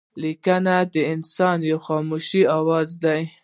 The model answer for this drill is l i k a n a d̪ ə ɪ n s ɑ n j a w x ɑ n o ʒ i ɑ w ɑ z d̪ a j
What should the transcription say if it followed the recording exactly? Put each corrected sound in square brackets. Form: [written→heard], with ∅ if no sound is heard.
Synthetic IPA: l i k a n a d̪ ə ɪ n s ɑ n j a w x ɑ [n→m] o [ʒ→ʃ] i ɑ w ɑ z d̪ a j

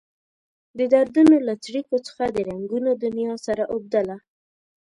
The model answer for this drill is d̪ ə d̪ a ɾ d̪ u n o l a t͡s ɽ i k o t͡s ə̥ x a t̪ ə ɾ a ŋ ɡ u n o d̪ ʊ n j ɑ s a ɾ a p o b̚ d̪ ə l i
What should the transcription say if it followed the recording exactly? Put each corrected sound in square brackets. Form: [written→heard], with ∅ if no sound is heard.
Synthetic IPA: d̪ ə d̪ a ɾ d̪ u n o l a t͡s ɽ i k o t͡s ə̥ x a [t̪→d̪] ə ɾ a ŋ ɡ u n o d̪ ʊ n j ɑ s a ɾ a [p→ʔ] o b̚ d̪ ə l [i→a]

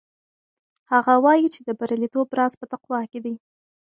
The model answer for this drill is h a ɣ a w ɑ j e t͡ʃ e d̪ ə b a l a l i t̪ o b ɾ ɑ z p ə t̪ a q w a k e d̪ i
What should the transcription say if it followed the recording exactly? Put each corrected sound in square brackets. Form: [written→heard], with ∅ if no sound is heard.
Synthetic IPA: h a ɣ a w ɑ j [e→i] t͡ʃ e d̪ ə b a [l→ɾ] a l i t̪ o b ɾ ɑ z p ə t̪ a q w [a→ɑ] k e d̪ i

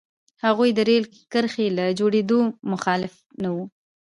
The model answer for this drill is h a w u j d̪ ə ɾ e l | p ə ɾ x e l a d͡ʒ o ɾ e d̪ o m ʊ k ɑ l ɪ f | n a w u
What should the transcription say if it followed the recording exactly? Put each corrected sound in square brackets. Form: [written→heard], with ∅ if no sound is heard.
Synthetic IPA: h a [w→ɣ] u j d̪ ə ɾ e l | [p→k] ə ɾ x e l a d͡ʒ o [ɾ→ɽ] e d̪ o m ʊ [k→x] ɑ l ɪ f | n a w u

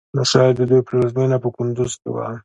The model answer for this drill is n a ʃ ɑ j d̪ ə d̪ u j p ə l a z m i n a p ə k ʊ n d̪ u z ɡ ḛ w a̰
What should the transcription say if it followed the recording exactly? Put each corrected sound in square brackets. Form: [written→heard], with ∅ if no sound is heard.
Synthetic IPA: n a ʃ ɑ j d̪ ə d̪ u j p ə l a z m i n a p ə k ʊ n d̪ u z [ɡ→k] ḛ w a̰

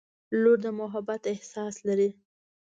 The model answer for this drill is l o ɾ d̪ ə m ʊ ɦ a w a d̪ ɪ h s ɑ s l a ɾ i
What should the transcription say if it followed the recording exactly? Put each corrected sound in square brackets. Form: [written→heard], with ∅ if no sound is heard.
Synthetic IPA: l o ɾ d̪ ə m ʊ ɦ a [w→b] a [d̪→t̪] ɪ h s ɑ s l a ɾ i

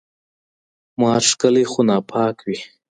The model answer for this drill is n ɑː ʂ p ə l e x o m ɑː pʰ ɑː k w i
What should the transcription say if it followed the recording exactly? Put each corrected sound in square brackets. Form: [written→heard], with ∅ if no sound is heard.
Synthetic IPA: [n→m] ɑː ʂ [p→k] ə l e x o [m→n] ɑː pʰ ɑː k w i

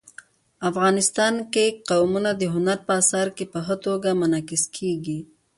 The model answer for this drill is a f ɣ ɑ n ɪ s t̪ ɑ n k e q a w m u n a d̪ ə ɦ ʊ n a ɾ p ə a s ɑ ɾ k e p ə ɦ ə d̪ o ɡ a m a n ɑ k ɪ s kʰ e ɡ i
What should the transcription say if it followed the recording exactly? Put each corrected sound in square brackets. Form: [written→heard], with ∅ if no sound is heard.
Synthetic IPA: a f ɣ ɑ n ɪ s t̪ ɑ n k e q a w m u n a d̪ ə ɦ ʊ n a ɾ p ə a s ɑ ɾ k e p ə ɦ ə [d̪→t̪] o ɡ a m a n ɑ k ɪ s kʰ e ɡ i

